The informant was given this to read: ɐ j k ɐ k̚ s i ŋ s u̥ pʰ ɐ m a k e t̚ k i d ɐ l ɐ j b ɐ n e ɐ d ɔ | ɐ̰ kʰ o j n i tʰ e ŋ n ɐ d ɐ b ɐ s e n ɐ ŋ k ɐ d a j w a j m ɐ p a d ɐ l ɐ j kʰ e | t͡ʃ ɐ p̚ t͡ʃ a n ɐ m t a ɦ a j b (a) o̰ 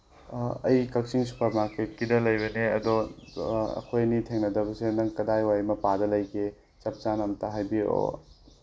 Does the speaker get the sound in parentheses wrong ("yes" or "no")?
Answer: yes